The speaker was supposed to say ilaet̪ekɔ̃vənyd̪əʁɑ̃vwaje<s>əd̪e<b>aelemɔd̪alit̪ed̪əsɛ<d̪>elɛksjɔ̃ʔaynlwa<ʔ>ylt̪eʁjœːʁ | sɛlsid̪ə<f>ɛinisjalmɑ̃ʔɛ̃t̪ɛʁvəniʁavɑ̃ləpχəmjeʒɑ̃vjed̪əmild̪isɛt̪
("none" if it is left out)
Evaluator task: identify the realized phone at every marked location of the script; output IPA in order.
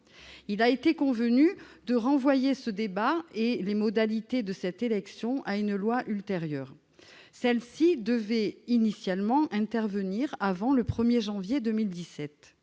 s, b, t̪, ʔ, v

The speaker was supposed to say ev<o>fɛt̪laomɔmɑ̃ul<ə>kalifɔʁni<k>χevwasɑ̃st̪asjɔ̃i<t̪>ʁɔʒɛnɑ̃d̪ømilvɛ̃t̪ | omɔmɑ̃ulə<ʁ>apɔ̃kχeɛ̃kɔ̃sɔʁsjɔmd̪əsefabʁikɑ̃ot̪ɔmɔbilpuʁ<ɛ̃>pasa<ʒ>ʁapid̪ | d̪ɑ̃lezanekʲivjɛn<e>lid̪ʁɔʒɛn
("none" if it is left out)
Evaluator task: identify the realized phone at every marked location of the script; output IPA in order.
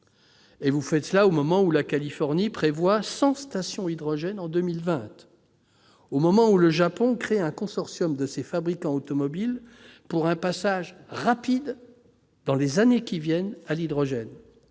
u, a, p, d̪, ʒ, ɛ̃, ʒ, a

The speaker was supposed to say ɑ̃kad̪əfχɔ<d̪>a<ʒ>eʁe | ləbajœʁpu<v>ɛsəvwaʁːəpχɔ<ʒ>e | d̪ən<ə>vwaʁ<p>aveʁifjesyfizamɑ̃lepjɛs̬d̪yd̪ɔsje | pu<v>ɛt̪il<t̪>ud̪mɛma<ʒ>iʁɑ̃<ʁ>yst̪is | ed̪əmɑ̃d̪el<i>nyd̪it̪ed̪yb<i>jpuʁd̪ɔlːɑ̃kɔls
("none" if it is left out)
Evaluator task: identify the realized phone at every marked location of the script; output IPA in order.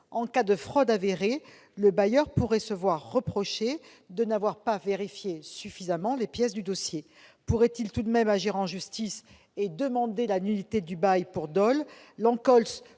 d̪, v, ʁ, ʃ, a, p, ʁ, t̪, ʒ, ʒ, a, a

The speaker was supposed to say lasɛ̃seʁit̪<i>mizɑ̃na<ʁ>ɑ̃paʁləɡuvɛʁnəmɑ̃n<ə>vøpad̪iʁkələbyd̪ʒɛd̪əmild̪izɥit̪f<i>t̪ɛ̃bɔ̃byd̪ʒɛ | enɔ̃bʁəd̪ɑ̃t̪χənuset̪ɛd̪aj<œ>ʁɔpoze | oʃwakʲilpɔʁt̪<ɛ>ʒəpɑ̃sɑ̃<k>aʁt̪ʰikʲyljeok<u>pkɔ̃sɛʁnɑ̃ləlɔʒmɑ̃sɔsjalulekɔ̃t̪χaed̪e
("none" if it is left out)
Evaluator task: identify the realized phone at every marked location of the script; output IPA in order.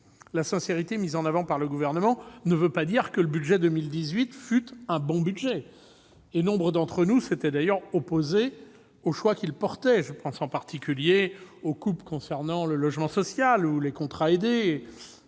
e, v, ə, y, œ, ɛ, p, u

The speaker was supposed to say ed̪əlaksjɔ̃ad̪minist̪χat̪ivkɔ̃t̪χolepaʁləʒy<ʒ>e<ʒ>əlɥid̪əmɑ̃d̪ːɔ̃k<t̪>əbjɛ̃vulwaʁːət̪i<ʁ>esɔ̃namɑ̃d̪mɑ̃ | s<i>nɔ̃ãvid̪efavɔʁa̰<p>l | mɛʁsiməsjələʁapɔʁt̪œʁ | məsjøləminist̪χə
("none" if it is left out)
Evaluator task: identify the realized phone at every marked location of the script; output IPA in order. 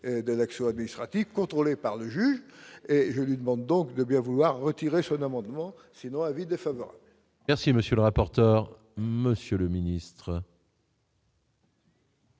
ʒ, ʒ, d̪, ʁ, i, b

